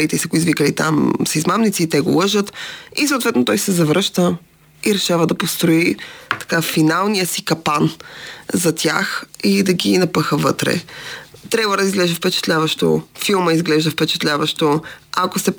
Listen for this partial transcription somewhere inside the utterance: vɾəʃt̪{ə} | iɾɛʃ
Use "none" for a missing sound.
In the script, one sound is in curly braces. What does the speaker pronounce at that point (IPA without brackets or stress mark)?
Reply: ə